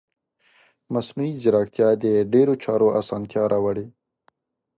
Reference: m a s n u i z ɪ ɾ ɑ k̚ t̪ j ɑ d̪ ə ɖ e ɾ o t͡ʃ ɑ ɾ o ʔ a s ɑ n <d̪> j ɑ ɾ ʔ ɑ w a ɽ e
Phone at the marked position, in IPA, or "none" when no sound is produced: t̪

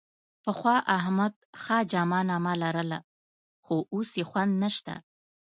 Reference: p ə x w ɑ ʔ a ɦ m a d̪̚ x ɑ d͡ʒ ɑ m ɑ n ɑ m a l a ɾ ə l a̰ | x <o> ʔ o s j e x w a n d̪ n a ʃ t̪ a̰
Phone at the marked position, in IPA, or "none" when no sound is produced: o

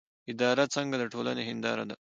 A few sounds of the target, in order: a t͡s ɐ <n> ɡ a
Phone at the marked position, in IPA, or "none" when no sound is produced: ŋ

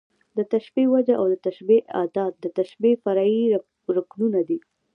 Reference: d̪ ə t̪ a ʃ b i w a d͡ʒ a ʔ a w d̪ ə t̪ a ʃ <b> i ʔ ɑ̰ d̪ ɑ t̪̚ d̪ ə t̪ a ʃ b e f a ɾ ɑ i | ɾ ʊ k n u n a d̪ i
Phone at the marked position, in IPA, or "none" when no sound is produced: b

